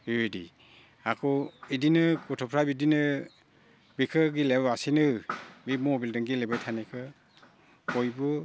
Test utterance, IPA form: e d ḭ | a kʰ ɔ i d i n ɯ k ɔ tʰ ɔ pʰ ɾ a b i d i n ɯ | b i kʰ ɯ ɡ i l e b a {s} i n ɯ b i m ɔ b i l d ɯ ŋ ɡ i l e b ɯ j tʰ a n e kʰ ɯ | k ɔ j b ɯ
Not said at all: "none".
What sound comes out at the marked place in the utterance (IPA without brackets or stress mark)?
s